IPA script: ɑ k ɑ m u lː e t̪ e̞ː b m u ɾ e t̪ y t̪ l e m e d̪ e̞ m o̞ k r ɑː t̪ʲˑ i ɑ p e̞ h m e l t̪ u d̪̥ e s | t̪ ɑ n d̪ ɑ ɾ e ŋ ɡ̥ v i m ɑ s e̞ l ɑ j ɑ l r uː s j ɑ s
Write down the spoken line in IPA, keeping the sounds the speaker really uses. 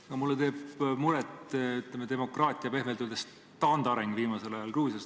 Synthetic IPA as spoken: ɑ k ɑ m u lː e t̪ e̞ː b m u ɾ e t̪ y t̪ l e m e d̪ e̞ m o̞ k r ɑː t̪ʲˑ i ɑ p e̞ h m e l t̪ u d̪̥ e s | t̪ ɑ n d̪ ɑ ɾ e ŋ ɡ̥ v iː m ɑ s e̞ l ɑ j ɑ l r uː s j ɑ s